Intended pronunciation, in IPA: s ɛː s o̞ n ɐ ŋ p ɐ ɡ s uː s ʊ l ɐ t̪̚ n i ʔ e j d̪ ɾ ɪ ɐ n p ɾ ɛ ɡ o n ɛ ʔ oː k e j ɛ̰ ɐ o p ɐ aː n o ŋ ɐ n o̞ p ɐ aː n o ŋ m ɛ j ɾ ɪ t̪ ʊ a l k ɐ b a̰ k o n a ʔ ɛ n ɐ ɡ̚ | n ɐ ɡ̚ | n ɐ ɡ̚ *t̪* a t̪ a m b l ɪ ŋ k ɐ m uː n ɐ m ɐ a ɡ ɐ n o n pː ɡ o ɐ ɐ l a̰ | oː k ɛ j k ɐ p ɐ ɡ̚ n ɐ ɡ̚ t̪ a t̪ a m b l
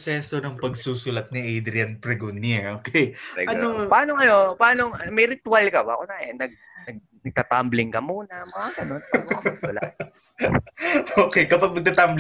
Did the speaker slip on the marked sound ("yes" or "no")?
no